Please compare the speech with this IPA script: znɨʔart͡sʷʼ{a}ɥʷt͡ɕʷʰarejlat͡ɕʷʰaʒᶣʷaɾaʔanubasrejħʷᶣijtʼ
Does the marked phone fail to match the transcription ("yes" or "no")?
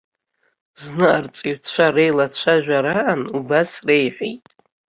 yes